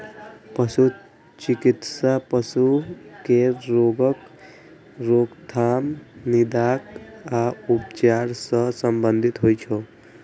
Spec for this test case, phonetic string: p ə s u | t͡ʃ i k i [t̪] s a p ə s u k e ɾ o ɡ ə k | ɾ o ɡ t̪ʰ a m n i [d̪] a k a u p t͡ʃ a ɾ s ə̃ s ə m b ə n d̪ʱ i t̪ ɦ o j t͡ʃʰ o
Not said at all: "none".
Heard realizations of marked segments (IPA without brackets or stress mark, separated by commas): t̪, d̪